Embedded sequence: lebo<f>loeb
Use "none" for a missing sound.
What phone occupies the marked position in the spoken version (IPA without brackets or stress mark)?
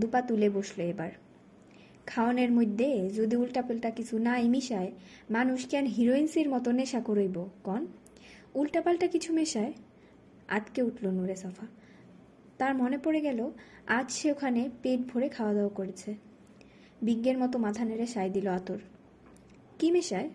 ʃ